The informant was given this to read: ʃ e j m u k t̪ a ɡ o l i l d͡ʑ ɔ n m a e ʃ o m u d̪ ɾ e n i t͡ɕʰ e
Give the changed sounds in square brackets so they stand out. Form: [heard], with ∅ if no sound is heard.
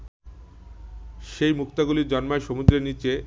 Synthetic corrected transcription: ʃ e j m u k t̪ a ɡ [u] l i [ɾ] d͡ʑ ɔ n m a e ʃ o m u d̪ ɾ e n i [t͡ɕ] e